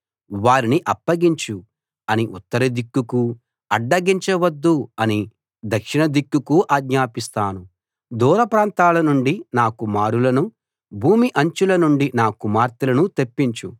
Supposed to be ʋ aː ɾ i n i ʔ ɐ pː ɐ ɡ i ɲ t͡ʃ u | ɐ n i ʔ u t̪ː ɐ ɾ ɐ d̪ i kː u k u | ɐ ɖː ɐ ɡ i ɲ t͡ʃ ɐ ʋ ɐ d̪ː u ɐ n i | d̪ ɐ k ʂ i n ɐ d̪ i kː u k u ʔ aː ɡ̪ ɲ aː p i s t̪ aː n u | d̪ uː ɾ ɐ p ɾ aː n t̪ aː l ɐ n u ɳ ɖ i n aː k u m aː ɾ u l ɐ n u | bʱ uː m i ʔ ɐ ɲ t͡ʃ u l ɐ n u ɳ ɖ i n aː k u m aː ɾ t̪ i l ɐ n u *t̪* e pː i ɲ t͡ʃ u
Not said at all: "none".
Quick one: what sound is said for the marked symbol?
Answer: t̪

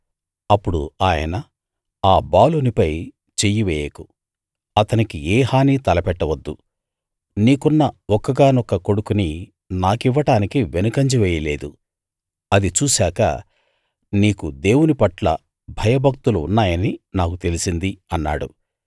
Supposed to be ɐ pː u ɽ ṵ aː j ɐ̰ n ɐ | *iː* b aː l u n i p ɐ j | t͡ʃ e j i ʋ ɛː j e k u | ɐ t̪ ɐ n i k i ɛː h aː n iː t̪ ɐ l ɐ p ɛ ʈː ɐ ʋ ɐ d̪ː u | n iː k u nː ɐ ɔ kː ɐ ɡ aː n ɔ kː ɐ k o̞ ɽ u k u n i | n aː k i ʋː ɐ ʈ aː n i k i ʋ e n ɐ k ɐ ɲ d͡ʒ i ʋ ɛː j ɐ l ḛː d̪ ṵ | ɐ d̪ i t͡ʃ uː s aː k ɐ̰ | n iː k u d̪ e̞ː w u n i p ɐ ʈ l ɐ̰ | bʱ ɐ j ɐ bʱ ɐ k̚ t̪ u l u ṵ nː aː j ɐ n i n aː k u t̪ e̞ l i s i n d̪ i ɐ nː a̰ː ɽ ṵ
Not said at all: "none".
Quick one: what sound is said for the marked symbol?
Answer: aː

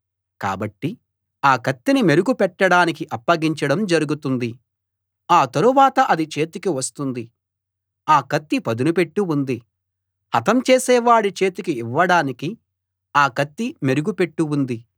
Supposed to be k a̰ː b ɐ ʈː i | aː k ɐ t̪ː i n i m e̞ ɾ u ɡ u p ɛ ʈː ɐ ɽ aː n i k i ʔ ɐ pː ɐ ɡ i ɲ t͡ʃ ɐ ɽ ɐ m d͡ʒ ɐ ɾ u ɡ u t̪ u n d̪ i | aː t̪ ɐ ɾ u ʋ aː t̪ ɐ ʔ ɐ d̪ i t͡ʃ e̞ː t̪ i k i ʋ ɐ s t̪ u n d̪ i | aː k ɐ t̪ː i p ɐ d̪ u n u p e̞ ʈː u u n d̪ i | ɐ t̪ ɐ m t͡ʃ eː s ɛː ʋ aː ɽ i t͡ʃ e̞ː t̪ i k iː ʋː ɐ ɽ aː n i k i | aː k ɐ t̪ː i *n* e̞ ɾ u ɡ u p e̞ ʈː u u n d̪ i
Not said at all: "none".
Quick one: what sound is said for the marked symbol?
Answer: m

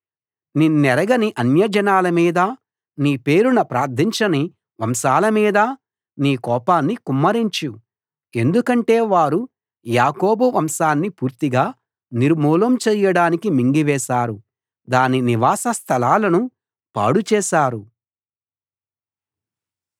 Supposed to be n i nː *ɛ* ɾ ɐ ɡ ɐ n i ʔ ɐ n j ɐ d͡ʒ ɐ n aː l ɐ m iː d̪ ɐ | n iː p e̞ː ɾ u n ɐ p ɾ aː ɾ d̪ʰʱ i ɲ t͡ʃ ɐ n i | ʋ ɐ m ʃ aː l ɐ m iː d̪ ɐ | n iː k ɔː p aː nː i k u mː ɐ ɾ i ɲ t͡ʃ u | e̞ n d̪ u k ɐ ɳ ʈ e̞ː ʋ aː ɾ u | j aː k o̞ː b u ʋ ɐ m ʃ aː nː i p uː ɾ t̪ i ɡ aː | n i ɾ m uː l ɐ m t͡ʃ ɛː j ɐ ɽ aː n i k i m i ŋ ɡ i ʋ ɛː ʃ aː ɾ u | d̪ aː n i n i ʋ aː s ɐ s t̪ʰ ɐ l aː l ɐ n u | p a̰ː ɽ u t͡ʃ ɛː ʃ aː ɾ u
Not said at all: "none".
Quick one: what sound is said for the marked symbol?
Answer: ɛ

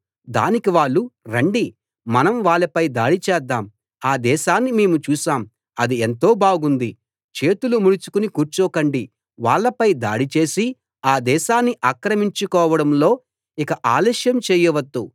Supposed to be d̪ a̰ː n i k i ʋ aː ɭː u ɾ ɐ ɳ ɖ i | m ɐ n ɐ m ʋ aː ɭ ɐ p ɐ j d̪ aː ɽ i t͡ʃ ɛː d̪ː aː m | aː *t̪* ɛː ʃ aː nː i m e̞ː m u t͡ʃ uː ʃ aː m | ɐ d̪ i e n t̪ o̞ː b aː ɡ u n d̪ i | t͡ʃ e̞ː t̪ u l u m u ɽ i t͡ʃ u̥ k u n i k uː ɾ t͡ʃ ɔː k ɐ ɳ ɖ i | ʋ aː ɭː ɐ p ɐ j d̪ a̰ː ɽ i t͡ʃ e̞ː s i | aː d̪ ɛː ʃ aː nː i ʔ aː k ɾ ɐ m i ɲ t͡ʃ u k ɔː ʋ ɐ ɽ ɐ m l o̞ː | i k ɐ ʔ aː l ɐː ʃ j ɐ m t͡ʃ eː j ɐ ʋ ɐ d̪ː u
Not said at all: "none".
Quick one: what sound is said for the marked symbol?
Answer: d̪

